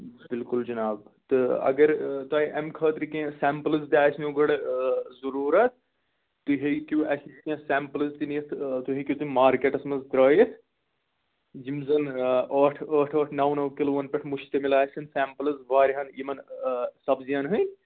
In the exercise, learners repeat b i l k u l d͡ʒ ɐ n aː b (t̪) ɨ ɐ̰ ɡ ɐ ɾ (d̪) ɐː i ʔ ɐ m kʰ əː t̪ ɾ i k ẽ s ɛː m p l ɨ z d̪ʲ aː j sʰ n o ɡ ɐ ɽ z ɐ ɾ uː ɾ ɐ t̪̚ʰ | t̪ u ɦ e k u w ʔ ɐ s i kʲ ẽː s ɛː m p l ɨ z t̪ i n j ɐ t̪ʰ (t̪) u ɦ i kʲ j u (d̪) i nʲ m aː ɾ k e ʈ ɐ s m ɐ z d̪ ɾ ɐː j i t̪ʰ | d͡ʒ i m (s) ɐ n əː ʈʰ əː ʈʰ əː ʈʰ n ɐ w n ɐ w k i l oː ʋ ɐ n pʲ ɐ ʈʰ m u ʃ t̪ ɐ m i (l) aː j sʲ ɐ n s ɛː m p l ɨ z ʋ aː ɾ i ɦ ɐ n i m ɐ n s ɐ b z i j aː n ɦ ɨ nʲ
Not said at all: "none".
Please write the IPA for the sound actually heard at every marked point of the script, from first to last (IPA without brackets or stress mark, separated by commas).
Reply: t̪, t̪, t̪, t̪, z, l